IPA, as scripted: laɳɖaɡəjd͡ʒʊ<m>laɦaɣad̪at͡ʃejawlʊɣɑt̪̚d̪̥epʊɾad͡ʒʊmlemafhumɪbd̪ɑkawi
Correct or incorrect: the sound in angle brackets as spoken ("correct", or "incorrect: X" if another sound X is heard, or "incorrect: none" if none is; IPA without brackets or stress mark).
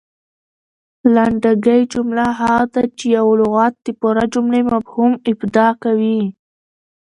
correct